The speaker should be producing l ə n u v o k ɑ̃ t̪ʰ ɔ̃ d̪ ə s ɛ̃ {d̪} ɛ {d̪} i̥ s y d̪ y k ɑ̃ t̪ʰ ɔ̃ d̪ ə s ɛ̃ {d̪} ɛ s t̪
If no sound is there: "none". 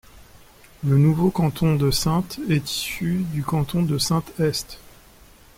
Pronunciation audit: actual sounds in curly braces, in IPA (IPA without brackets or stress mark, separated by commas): t̪, t̪, t̪